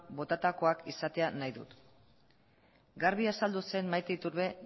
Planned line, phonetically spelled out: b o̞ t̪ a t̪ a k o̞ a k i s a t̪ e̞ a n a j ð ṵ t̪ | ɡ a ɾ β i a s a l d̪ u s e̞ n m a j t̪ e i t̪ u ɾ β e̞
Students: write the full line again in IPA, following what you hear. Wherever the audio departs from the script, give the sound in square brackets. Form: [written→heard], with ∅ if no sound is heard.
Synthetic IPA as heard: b o̞ t̪ a t̪ a k o̞ a k i s a t̪ e̞ a n a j ð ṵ t̪ | ɡ a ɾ β i a s a l d̪ u s e̞ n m a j t̪ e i t̪ u ɾ β e̞